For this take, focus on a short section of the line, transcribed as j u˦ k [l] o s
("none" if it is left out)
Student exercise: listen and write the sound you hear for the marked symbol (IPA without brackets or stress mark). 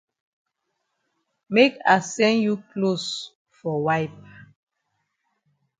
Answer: l